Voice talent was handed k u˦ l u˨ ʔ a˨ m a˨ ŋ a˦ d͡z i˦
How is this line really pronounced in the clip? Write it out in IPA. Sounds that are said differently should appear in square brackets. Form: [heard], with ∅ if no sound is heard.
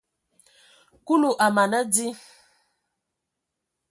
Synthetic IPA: k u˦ l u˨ ʔ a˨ m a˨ [n] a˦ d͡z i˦